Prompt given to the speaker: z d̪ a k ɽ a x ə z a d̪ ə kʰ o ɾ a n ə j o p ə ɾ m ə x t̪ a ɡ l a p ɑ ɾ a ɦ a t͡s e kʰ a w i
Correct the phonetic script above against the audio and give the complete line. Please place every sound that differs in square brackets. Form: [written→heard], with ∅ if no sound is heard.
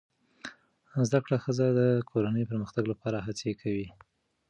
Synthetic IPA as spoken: z d̪ a k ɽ a x ə z a d̪ ə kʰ o ɾ a n ə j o p ə ɾ m ə x t̪ a ɡ l a p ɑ ɾ a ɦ a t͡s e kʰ a w i